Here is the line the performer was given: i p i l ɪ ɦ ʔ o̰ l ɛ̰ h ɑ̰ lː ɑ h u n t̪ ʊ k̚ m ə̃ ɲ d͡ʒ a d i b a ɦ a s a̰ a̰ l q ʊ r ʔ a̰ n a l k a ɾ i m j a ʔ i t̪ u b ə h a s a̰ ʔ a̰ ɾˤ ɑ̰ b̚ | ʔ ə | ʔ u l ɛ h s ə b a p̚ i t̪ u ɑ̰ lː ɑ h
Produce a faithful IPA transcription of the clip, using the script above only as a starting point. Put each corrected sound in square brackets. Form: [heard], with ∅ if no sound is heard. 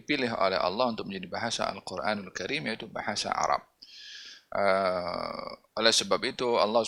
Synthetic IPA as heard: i p i l ɪ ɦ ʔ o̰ l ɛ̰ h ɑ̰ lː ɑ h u n t̪ ʊ k̚ m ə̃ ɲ d͡ʒ a d i b a ɦ a s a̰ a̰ l q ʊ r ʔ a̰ n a l k a ɾ i m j a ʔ i t̪ u b [a] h a s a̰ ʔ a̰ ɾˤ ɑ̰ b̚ | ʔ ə | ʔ [o] l ɛ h s ə b a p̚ i t̪ u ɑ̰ lː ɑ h